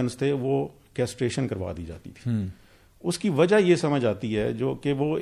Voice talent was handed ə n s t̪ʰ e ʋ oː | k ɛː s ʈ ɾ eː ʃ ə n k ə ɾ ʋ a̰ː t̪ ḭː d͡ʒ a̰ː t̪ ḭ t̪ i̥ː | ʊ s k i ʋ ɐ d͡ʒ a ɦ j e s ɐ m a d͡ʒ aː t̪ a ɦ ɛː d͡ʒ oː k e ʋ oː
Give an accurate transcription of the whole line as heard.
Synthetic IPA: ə n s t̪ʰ e ʋ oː | k ɛː s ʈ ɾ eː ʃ ə n k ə ɾ ʋ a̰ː d̪ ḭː d͡ʒ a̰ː t̪ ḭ t̪ʰ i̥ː | ʊ s k i ʋ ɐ d͡ʒ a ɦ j e s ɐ m ə d͡ʒ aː t̪ i ɦ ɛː d͡ʒ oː k e ʋ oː